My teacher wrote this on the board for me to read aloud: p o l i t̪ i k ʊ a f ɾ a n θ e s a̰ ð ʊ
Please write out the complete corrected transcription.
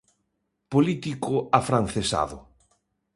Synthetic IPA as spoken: p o l i t̪ i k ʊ a f ɾ a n θ e s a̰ ð ʊ